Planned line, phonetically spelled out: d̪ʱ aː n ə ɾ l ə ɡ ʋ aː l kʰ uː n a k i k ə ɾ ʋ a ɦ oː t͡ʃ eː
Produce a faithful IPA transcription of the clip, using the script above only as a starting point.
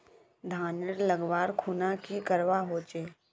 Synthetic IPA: d̪ʱ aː n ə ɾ l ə ɡ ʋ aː ɾ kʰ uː n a k i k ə ɾ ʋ a ɦ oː t͡ʃ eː